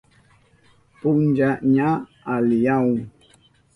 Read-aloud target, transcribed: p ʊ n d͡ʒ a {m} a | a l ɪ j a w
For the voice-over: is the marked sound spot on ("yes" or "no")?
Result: no